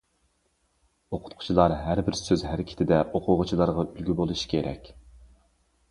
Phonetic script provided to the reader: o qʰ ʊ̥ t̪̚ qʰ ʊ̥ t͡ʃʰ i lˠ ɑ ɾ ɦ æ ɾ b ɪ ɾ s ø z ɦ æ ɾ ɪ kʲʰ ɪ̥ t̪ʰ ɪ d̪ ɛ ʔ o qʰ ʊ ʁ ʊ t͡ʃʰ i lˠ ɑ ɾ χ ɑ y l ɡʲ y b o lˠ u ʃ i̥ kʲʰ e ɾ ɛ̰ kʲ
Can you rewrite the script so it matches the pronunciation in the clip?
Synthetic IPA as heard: o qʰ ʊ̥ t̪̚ qʰ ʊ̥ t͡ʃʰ i lˠ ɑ ɾ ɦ æ ɾ b ɪ ɾ s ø z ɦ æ ɾ ɪ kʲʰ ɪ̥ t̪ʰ ɪ d̪ ɛ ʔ o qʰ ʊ ʁ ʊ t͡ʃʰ i lˠ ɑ ɾ ʁ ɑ y l ɡʲ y b o lˠ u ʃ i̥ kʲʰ e ɾ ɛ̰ kʲ